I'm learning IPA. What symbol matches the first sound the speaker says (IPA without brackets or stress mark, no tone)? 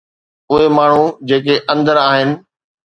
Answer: ʊ